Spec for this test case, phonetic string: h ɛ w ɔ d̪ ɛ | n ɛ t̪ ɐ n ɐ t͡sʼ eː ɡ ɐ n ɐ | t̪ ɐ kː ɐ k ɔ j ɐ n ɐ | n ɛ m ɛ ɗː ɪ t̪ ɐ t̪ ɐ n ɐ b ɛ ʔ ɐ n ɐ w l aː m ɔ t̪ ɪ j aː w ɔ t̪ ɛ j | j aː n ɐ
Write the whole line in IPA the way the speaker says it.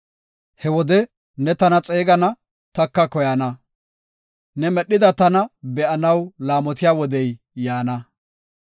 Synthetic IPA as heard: h ɛ w ɔ d̪ ɛ | n ɛ t̪ ɐ n ɐ t͡sʼ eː ɡ ɐ n ɐ | t̪ ɐ kː ɐ k ɔ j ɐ n ɐ | n ɛ m ɛ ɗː ɪ d̪ ɐ t̪ ɐ n ɐ b ɛ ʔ ɐ n ɐ w l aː m ɔ t̪ ɪ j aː w ɔ d̪ ɛ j | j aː n ɐ